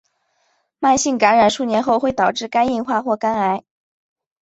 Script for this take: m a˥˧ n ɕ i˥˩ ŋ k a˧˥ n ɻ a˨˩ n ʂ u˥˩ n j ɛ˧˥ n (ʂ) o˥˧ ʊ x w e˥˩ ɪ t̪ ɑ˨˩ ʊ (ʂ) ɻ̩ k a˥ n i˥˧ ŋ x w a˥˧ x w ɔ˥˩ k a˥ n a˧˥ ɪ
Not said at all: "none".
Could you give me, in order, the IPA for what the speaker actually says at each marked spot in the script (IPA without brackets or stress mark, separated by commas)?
x, ʈ͡ʂ